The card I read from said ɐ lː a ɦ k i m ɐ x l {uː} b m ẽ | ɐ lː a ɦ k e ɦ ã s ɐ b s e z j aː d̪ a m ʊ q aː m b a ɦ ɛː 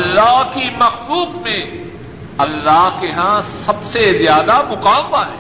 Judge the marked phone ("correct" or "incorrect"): correct